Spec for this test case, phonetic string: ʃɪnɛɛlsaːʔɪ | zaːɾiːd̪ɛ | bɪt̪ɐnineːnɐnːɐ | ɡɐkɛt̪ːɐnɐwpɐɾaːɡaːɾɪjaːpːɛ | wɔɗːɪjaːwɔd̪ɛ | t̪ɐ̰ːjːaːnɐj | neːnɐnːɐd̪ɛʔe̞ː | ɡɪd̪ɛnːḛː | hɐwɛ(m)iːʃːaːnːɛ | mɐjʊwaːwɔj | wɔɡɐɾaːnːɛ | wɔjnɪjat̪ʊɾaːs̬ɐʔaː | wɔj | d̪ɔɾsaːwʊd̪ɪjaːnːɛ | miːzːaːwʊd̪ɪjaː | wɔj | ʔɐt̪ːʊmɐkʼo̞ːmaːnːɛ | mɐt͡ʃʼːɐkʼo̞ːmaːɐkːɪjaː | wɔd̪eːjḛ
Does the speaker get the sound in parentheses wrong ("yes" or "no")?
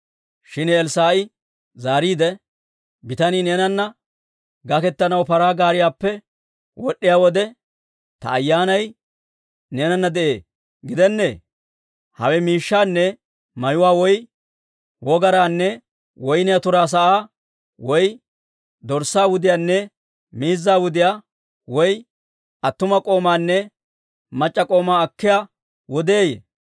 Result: no